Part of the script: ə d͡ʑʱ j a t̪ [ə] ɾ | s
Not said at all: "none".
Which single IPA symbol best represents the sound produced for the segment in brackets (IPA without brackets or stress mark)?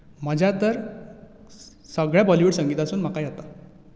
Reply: ə